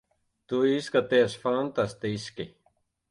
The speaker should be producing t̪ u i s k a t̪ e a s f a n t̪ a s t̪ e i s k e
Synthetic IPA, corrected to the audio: t̪ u i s k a t̪ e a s f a n t̪ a s t̪ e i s k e